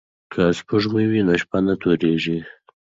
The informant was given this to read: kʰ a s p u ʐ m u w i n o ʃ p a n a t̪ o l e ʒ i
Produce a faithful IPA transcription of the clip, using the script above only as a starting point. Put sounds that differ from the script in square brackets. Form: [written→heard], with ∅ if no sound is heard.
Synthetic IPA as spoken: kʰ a s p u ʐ m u w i n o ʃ p a n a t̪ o [l→ɾ] e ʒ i